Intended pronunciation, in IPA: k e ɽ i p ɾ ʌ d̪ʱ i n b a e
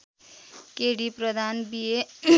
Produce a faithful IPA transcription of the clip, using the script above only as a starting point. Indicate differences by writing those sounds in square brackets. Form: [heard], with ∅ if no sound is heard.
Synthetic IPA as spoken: k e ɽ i p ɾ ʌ d̪ʱ [a] n b [i] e